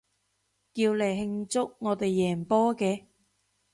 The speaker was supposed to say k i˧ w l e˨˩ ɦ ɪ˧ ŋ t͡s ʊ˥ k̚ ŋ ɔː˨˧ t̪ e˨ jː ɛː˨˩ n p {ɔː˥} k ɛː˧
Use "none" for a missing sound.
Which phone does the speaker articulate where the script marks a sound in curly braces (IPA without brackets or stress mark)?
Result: ɔː˥